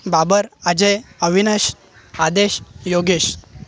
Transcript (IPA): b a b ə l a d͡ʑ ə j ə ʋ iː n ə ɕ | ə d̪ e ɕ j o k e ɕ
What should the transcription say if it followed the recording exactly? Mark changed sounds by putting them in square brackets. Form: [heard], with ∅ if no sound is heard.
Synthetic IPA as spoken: b a b ə [ɾ] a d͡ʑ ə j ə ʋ [i] n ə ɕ | [a] d̪ e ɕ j o [ɡ] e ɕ